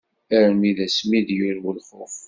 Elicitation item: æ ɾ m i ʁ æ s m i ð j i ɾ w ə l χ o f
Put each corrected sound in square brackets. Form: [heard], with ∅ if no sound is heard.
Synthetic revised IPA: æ ɾ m i [ð] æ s m i ð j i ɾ w ə l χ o f